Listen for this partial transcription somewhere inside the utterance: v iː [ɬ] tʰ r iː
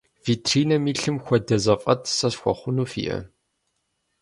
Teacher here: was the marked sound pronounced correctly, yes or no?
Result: no